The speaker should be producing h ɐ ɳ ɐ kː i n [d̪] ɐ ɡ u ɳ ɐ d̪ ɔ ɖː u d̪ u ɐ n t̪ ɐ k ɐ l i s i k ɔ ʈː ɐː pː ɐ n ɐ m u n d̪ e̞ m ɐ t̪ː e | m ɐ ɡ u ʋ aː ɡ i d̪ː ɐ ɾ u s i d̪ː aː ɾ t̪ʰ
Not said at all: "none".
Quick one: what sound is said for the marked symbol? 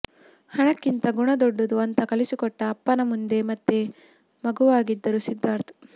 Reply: t̪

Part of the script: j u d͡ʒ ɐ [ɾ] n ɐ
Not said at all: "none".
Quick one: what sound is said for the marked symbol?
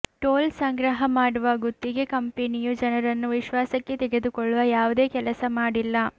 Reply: none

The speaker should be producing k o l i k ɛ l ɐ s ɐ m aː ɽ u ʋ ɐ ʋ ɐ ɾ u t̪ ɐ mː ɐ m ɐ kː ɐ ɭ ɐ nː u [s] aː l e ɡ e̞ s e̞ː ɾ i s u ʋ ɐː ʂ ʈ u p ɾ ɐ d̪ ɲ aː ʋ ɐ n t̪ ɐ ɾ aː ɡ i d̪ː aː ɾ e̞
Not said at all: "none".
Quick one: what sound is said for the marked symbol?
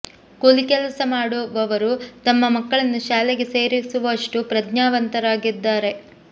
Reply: ʃ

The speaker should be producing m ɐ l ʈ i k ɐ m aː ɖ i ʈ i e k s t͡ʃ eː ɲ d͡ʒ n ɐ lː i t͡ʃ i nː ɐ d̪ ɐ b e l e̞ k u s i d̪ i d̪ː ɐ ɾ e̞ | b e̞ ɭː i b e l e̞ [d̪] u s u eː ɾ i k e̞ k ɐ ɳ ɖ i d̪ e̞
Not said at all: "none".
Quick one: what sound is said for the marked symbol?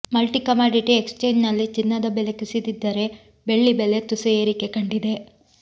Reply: t̪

